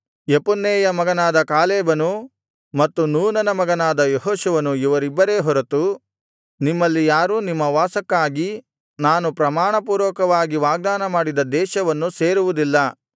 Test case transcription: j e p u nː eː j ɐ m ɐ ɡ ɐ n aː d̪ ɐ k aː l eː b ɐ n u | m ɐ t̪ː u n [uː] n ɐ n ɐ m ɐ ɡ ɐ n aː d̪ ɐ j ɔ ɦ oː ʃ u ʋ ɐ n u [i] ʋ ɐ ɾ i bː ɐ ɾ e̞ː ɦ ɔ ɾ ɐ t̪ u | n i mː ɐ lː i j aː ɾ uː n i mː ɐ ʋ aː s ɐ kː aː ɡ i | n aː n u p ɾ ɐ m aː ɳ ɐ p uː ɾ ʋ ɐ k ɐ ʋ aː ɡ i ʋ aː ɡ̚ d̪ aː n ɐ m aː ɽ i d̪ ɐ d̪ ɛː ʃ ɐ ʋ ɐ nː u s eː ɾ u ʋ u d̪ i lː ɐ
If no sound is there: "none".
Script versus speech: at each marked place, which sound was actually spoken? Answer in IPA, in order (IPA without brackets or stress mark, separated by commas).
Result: uː, i